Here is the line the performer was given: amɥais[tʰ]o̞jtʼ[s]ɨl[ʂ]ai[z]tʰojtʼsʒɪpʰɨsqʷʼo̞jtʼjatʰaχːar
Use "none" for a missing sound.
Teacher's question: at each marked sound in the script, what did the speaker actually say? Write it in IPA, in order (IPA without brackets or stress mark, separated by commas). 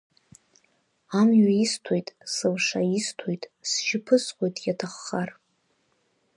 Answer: tʰ, s, ʂ, s